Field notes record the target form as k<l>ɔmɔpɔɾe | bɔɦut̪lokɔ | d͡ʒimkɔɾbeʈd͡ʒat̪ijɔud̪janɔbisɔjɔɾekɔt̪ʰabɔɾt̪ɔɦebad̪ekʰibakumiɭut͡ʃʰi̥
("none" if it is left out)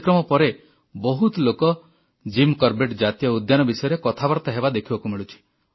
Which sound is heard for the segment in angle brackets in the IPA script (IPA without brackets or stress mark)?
ɾ